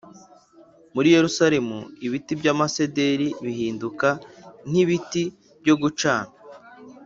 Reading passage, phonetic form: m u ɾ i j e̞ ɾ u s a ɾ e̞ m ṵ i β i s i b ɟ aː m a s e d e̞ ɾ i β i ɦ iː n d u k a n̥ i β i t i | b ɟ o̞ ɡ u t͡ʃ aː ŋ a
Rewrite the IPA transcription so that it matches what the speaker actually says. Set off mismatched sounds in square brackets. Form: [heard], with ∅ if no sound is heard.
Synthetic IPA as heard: m u ɾ i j e̞ ɾ u s a ɾ e̞ m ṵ i β i [t] i b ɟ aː m a s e d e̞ ɾ i β i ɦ iː n d u k a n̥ i β i t i | b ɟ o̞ ɡ u t͡ʃ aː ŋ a